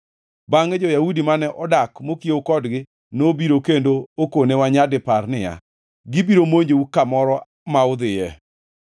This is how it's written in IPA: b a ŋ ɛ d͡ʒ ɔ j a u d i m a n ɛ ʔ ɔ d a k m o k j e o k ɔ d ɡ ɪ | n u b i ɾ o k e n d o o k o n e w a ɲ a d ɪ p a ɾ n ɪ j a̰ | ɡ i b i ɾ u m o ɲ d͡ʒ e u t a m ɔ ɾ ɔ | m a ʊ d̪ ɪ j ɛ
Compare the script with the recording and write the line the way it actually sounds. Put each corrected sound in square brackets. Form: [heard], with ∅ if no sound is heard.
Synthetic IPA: b a ŋ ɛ d͡ʒ ɔ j a u d i m a n ɛ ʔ ɔ d a k m o k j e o k ɔ d ɡ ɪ | n [o] b i ɾ o k e n d o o k o n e w a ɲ a d ɪ p a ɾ n ɪ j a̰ | ɡ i b i ɾ [o] m o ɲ d͡ʒ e u [k] a m ɔ ɾ ɔ | m a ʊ d̪ ɪ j ɛ